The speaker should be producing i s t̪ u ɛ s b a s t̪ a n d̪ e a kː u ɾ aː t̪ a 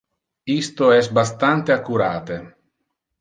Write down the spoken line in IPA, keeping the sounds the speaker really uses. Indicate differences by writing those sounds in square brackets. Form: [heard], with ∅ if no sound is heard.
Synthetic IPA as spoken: i s t̪ [o] ɛ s b a s t̪ a n [t̪] e a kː u ɾ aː t̪ [e]